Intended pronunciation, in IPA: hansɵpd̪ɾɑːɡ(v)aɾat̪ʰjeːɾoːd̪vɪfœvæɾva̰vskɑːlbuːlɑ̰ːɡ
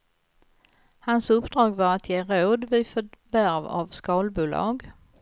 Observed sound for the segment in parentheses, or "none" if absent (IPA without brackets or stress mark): v